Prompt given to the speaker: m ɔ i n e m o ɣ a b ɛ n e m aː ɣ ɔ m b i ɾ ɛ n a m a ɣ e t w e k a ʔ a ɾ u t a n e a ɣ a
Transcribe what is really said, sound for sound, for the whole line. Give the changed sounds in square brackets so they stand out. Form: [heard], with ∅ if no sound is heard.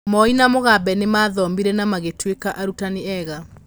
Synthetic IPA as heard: m ɔ i n [a] m o ɣ a b ɛ n e m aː [ð] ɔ m b i ɾ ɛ n a m a ɣ e t w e k a ʔ a ɾ u t a n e [ɛ] ɣ a